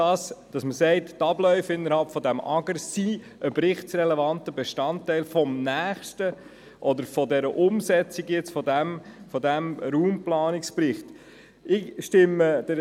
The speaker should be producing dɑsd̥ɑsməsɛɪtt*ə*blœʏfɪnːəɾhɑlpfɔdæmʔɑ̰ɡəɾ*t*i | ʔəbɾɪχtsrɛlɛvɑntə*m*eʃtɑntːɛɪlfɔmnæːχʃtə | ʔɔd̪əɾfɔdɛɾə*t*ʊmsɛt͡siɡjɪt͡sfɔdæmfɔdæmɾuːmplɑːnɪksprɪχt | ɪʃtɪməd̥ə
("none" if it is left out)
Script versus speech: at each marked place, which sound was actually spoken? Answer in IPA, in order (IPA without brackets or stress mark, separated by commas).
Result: ɑ, s, b, ʔ